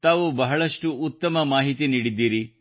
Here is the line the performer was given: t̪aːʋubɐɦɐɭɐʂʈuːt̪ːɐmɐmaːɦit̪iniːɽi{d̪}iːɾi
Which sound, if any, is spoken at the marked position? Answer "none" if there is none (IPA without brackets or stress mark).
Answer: d̪ː